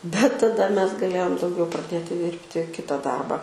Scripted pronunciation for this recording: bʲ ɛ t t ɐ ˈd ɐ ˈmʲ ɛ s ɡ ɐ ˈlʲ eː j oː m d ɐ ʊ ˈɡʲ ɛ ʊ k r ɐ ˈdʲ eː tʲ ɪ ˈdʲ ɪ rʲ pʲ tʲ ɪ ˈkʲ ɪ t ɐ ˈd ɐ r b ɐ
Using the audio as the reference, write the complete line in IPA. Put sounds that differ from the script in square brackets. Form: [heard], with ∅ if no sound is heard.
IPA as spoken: bʲ ɛ t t ɐ ˈd ɐ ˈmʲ ɛ s ɡ ɐ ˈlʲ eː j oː m d ɐ ʊ ˈɡʲ ɛ ʊ [p] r ɐ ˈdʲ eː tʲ ɪ ˈdʲ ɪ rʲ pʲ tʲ ɪ ˈkʲ ɪ t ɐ ˈd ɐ r b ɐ